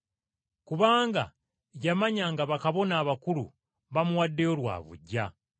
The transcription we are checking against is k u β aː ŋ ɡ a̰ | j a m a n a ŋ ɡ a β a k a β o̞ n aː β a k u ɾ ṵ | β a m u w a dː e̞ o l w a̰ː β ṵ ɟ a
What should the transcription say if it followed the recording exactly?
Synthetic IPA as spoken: k u β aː ŋ ɡ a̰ | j a m a ɲ a ŋ ɡ a β a k a β o̞ n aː β a k u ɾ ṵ | β a m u w a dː e̞ o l w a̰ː β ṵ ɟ a